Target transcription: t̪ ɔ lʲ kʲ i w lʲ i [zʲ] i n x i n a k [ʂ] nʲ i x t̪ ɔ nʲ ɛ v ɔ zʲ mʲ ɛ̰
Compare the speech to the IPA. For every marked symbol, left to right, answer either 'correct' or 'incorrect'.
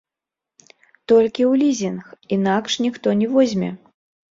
correct, correct

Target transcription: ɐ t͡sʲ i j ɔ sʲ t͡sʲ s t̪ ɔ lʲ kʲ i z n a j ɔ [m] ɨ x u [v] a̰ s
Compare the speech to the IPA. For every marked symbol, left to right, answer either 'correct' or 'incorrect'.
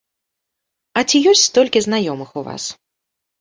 correct, correct

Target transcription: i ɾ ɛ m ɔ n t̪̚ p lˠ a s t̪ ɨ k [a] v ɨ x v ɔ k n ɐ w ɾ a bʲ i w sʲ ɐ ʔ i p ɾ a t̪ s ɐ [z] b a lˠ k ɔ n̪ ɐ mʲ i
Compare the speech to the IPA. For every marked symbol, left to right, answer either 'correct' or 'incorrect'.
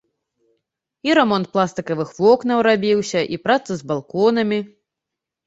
incorrect, correct

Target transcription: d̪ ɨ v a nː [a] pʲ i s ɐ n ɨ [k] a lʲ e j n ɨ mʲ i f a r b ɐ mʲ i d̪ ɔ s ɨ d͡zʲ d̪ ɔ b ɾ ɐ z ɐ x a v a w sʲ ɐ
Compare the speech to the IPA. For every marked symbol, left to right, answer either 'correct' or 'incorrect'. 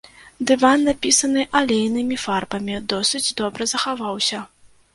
correct, incorrect

